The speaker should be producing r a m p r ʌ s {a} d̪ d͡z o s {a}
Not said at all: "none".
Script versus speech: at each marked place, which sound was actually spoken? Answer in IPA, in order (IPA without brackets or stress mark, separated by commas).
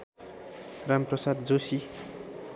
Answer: a, i